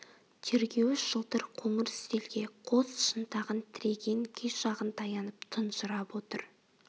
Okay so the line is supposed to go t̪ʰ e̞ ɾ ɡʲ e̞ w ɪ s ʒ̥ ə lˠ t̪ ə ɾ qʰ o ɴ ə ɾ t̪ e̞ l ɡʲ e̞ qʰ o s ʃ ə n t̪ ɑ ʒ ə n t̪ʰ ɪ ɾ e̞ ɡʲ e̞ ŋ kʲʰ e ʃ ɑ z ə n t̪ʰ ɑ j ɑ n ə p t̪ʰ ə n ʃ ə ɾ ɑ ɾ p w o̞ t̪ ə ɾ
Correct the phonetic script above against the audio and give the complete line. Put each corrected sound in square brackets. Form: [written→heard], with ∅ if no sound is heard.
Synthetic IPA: t̪ʰ e̞ ɾ ɡʲ e̞ w ɪ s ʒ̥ ə lˠ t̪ ə ɾ qʰ o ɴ ə ɾ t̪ e̞ l ɡʲ e̞ qʰ o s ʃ ə n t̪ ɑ [ʒ→ʁ] ə n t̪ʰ ɪ ɾ e̞ ɡʲ e̞ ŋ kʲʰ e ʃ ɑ [z→ʁ] ə n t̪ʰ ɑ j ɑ n ə p t̪ʰ ə n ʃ ə ɾ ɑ [ɾ→∅] p w o̞ t̪ ə ɾ